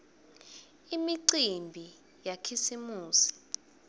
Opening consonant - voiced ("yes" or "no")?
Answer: yes